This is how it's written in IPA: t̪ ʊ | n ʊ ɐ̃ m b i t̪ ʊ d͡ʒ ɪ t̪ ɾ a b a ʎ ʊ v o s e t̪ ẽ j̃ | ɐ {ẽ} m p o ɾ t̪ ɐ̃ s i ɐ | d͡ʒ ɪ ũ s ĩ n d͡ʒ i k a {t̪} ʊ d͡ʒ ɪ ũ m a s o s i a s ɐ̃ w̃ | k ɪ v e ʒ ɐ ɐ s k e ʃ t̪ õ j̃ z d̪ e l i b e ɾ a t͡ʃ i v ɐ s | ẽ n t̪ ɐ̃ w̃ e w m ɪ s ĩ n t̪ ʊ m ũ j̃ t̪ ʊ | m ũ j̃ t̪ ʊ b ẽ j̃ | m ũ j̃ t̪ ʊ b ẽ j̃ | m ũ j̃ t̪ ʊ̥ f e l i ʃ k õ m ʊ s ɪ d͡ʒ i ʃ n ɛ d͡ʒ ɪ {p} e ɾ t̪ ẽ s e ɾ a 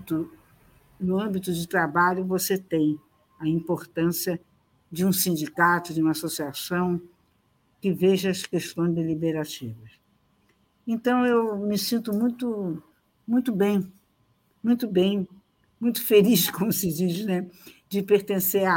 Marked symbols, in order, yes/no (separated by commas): no, yes, yes